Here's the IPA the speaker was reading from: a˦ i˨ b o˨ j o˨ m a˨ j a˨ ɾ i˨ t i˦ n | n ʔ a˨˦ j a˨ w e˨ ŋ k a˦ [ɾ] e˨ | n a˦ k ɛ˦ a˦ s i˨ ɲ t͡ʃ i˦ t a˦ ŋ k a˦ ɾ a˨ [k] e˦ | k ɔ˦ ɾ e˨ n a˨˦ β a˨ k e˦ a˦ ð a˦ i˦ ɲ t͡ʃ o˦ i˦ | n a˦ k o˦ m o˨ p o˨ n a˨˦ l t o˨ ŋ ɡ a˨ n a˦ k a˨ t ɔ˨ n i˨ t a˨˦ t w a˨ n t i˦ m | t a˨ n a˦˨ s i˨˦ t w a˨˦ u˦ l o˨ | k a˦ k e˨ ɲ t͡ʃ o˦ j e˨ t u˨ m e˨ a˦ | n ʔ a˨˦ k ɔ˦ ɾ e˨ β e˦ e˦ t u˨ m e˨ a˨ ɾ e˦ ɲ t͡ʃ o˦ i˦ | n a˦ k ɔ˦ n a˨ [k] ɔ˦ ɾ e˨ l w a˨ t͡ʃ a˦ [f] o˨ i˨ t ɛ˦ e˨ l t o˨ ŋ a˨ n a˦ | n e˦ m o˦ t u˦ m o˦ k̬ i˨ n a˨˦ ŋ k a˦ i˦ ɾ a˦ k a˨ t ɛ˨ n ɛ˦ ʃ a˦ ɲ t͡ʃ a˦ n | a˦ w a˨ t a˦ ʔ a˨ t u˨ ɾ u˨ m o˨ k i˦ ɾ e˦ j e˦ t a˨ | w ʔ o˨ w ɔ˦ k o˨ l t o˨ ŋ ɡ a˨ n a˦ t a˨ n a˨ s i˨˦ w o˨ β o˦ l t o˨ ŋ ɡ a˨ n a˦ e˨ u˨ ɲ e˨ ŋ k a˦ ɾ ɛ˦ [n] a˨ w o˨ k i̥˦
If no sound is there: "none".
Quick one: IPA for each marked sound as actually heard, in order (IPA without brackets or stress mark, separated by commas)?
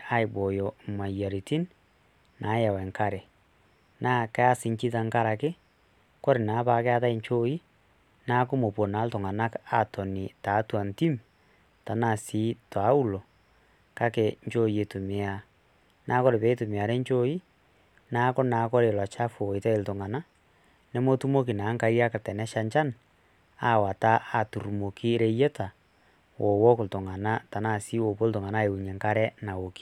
ɾ, k, k, f, n